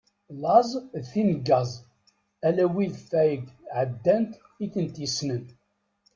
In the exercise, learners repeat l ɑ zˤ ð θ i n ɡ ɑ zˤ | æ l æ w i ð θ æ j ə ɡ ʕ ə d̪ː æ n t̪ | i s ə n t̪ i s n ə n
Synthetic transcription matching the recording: l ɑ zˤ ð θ i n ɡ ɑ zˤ | æ l æ w i ð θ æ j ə ɡ ʕ ə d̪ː æ n t̪ | i θ ə n t̪ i s n ə n